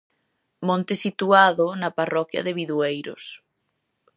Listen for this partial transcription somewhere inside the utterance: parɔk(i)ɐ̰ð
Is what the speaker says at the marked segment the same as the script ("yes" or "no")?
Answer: no